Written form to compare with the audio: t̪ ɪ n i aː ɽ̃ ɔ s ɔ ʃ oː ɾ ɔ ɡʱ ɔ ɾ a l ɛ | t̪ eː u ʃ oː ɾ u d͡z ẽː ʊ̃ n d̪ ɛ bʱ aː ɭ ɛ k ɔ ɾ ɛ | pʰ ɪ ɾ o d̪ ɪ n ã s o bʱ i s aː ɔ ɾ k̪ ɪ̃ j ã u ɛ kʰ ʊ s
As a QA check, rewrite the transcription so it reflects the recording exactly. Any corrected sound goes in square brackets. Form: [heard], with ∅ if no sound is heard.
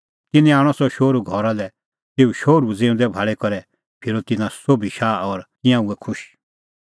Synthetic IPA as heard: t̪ ɪ n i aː ɽ̃ ɔ s ɔ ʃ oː ɾ [u] ɡʱ ɔ ɾ a l ɛ | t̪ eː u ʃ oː ɾ u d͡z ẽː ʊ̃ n d̪ ɛ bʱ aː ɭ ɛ k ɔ ɾ ɛ | pʰ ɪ ɾ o [t̪] ɪ n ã s o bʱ i [ʃ] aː ɔ ɾ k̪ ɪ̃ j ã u ɛ kʰ ʊ [ʃ]